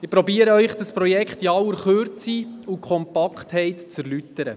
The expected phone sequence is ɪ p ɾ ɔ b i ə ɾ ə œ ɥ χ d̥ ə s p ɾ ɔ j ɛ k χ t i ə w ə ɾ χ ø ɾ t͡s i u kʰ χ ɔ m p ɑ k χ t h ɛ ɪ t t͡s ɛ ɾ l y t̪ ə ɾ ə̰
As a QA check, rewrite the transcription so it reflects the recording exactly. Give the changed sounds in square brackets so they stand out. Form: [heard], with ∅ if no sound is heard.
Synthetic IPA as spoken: ɪ p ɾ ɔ b i ə ɾ ə œ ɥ χ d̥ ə s p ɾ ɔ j ɛ k χ t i [ɑ] w ə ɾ χ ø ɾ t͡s i u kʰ χ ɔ m p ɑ k χ t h ɛ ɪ t t͡s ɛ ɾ l y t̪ ə ɾ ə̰